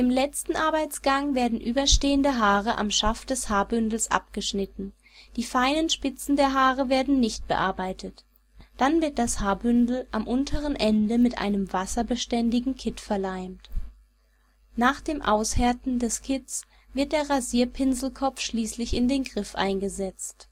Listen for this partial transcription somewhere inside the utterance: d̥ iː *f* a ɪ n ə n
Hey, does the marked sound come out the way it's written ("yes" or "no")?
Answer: yes